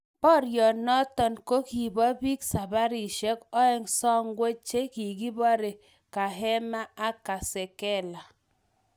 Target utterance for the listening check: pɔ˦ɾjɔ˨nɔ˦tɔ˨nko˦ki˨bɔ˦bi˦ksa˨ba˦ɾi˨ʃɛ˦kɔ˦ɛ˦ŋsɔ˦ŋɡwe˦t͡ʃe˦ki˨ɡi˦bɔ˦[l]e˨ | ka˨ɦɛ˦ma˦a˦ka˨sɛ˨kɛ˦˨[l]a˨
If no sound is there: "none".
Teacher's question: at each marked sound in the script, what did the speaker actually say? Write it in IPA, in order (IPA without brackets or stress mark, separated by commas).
ɾ, l